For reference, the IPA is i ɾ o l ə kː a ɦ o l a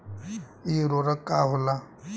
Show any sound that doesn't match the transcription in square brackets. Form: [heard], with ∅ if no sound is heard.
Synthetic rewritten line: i ɾ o [ɾ] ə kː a ɦ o l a